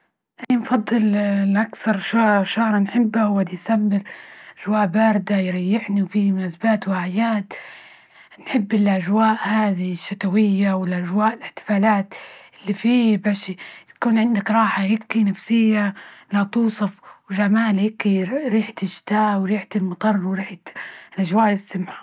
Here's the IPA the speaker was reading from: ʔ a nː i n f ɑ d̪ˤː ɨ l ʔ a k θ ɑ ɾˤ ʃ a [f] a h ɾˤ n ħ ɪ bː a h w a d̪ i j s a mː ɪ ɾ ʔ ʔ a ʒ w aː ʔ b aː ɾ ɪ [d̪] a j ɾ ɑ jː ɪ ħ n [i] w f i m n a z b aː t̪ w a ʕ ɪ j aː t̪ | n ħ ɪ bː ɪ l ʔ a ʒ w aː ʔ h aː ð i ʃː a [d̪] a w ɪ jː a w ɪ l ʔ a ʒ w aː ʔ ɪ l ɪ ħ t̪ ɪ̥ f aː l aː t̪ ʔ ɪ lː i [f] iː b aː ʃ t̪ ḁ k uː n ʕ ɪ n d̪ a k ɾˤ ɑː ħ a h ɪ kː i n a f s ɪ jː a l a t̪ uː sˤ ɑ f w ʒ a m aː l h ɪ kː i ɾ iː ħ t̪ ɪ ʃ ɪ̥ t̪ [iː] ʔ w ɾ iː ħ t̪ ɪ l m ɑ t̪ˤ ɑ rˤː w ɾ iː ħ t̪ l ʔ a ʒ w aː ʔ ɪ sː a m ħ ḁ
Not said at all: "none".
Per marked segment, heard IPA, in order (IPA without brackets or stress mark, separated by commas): ʃ, d̪, i, t̪, f, aː